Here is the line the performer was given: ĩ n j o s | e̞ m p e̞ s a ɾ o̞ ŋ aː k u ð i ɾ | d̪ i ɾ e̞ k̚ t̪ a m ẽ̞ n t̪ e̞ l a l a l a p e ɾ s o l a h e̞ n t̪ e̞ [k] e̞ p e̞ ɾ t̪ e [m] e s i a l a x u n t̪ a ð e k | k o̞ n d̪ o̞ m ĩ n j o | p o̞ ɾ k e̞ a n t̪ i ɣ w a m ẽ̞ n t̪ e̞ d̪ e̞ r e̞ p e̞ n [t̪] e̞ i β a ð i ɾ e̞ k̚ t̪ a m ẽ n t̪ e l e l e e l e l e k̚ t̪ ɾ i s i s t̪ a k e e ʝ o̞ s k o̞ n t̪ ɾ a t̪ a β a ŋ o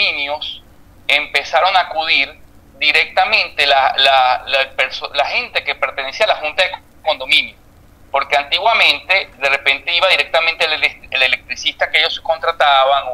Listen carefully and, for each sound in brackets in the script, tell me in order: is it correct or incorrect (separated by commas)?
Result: correct, incorrect, correct